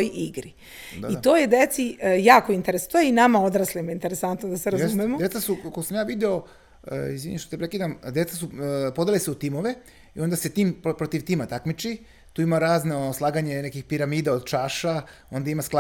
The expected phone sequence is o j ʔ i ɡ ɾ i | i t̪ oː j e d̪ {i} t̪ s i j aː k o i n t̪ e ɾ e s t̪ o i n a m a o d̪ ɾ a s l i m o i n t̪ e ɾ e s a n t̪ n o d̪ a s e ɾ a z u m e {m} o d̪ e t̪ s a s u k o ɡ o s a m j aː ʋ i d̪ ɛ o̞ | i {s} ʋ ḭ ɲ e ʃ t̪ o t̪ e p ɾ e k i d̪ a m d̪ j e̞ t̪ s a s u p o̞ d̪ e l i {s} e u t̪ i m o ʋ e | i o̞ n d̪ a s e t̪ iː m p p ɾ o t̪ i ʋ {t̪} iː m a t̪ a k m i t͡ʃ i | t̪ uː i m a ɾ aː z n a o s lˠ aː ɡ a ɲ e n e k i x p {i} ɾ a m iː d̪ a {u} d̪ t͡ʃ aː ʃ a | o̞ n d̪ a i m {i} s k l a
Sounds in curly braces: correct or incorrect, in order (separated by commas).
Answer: incorrect, correct, incorrect, correct, correct, correct, incorrect, incorrect